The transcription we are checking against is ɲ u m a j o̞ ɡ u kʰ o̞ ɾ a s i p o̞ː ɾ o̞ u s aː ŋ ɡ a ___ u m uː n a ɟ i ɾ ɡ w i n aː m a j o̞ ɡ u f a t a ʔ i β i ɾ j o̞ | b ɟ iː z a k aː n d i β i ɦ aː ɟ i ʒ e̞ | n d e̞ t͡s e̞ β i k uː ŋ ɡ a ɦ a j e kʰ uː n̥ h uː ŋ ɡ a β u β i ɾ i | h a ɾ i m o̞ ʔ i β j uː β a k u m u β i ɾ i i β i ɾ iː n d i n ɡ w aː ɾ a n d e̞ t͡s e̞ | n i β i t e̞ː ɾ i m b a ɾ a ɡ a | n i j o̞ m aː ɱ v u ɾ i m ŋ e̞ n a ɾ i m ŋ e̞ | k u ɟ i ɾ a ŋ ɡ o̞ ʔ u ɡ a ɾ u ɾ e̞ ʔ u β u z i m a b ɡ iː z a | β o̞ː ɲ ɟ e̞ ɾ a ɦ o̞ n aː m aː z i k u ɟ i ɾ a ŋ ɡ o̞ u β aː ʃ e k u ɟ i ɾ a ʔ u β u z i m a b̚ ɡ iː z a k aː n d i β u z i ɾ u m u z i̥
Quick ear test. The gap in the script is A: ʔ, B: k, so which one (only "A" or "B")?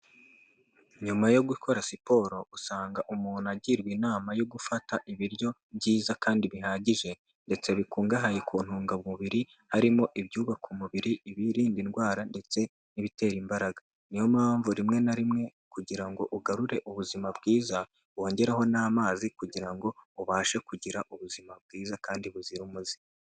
A